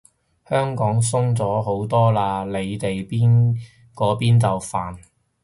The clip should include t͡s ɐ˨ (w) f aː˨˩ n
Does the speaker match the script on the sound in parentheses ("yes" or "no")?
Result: yes